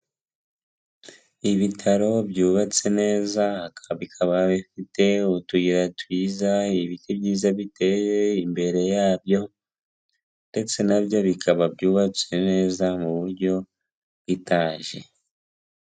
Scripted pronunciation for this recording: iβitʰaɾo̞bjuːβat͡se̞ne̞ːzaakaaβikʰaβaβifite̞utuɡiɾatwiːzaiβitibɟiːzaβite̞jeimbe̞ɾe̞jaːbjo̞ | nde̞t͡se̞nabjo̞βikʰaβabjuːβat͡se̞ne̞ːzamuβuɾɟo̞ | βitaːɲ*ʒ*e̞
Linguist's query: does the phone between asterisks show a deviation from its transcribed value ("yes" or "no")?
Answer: no